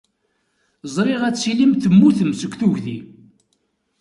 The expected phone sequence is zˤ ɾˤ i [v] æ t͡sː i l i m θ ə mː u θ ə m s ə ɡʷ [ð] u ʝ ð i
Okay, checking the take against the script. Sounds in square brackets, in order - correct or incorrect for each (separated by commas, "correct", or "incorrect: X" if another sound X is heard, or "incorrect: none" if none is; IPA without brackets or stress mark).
incorrect: ʁ, incorrect: θ